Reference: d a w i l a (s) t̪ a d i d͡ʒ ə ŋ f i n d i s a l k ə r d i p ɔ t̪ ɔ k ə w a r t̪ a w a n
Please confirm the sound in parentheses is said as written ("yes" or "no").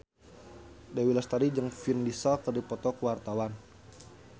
yes